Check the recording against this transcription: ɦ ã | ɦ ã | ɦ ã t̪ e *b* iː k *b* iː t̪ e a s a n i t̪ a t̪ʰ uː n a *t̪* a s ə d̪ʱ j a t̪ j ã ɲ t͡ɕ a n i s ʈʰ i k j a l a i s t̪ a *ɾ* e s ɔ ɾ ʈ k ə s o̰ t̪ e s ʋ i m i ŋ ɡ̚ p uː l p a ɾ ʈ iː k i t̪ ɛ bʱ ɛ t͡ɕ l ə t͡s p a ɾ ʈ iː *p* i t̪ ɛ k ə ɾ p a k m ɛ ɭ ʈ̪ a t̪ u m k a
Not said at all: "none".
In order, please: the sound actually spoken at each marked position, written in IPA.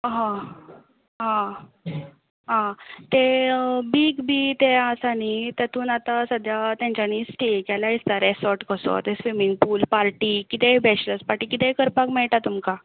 b, b, t̪, ɾ, k

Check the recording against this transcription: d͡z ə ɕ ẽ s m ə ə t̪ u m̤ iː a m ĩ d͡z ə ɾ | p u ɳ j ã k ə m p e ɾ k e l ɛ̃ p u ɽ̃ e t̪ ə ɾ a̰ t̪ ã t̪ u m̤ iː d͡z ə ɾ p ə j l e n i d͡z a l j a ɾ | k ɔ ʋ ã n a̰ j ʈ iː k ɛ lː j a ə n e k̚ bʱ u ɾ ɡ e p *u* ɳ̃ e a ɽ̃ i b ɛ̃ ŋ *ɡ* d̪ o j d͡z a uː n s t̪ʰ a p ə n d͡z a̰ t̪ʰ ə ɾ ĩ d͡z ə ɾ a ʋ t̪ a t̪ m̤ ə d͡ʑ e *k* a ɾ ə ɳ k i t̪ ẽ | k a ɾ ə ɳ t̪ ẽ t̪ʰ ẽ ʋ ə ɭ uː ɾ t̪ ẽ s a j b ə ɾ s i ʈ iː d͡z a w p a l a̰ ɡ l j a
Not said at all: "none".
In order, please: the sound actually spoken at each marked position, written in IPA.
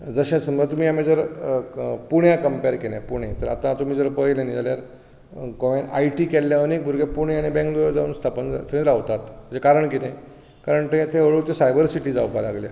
u, k, k

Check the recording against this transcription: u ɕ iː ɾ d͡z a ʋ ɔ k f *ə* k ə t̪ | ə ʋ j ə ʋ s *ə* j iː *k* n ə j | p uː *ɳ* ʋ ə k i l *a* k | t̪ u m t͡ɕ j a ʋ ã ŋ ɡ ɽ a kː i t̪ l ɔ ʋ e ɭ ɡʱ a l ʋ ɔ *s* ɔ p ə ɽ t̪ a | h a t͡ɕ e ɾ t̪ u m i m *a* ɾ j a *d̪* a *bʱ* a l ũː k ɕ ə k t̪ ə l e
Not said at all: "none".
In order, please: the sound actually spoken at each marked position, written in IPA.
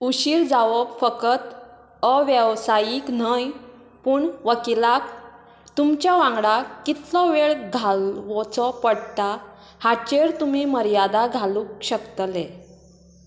ə, a, k, ɳ, a, t͡s, ə, d̪, ɡʱ

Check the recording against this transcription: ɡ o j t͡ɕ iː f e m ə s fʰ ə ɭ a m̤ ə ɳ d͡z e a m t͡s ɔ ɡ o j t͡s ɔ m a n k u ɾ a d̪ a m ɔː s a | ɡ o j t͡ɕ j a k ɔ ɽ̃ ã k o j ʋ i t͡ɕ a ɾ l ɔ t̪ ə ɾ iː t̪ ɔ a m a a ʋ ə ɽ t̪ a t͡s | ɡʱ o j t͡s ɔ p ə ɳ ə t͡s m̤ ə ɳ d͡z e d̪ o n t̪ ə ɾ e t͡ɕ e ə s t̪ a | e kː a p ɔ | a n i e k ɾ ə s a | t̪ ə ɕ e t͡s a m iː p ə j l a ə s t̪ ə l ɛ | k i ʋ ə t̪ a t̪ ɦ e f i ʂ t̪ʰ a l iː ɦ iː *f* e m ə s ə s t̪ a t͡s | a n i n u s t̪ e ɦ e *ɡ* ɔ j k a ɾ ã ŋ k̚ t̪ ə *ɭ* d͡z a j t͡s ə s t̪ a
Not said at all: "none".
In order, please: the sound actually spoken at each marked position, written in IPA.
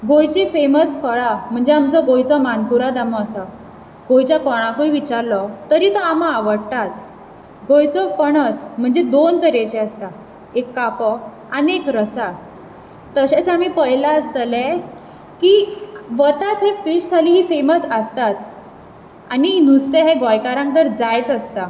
f, ɡ, ɾ

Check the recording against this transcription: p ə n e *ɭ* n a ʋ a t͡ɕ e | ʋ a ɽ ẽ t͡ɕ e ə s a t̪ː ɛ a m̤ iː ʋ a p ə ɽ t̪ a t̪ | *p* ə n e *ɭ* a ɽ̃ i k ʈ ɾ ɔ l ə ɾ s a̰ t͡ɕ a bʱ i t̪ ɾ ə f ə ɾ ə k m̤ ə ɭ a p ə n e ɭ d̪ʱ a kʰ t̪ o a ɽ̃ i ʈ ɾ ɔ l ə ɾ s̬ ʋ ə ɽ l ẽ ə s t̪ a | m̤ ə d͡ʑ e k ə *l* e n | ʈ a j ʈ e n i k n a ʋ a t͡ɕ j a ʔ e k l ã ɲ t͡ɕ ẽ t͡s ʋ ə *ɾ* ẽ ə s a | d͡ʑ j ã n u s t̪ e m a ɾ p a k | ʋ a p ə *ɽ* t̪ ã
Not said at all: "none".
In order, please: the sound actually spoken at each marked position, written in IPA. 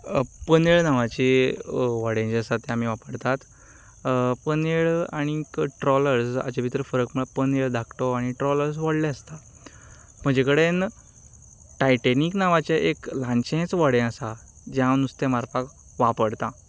ɭ, p, ɭ, ɽ, ɽ, ɽ

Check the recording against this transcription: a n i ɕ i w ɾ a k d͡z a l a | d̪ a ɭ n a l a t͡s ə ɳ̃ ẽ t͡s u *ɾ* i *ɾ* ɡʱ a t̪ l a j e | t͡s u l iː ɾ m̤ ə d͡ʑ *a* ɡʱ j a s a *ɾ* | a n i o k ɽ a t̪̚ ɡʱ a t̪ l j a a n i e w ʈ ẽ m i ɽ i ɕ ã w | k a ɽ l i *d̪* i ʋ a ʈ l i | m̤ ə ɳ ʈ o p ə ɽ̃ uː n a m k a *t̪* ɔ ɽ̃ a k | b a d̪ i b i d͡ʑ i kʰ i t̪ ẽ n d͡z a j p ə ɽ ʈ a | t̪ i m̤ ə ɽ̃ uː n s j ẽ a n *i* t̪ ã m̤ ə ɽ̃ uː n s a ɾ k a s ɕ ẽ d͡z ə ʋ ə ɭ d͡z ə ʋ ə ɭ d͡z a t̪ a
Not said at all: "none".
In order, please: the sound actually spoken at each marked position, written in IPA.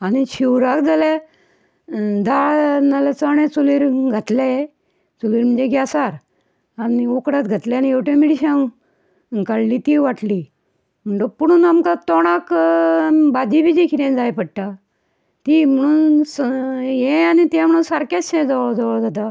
l, ɾ, e, ɾ, t̪, t̪, i

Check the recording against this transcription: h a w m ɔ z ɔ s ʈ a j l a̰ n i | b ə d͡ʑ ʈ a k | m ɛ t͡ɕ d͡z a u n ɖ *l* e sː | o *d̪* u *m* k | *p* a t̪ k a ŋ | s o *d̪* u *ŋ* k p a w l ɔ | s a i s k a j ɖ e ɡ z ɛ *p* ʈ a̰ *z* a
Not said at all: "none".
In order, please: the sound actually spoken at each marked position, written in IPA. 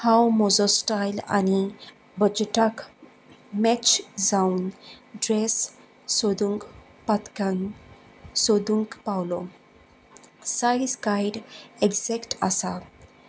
ɾ, d̪, ŋ, p, d̪, ŋ, k, s

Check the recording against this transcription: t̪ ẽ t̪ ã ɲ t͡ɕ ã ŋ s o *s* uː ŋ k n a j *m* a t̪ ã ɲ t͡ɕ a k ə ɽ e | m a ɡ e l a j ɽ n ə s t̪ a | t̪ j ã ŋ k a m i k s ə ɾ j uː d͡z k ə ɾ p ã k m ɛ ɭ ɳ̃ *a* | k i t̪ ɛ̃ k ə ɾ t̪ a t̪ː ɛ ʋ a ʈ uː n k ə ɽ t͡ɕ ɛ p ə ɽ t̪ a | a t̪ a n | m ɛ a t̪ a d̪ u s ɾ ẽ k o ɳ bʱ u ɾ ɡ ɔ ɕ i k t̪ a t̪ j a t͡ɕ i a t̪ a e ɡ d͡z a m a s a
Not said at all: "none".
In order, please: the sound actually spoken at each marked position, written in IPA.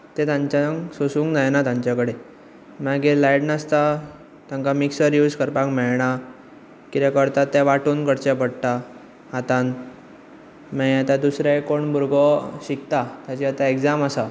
s, n, a

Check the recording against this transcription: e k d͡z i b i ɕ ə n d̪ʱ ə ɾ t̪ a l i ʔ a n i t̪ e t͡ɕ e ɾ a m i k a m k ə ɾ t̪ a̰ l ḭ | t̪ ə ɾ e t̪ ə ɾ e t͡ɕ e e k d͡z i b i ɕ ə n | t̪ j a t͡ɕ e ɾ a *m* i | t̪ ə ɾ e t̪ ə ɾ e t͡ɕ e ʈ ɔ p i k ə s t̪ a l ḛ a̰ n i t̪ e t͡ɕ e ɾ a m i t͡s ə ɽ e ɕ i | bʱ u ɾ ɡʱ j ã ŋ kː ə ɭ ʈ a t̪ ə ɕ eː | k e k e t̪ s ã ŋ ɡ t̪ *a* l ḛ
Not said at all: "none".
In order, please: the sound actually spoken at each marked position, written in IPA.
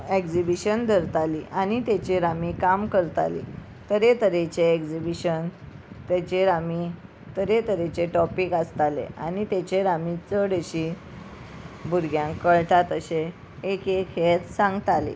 m, a

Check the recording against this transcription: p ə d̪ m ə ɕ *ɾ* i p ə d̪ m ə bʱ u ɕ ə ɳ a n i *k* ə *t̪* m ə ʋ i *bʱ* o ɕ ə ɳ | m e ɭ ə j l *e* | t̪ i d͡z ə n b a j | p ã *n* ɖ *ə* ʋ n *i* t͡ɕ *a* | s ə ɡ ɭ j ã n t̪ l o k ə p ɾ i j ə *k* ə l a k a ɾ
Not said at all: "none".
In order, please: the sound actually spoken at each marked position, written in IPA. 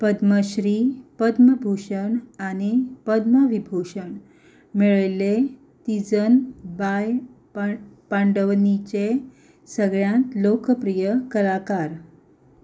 ɾ, p, d̪, bʱ, e, ɳ, ə, i, e, k

